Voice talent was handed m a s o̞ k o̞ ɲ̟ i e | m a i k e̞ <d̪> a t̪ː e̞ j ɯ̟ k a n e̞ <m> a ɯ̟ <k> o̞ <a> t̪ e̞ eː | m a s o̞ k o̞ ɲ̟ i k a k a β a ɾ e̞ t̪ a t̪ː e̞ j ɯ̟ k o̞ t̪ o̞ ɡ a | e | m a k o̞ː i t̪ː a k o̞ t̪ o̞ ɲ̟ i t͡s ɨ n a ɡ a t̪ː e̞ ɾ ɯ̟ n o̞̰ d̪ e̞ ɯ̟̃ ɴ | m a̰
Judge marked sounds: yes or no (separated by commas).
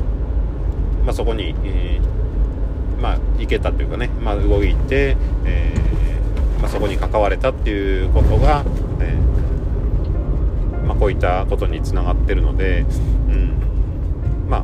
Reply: no, yes, no, no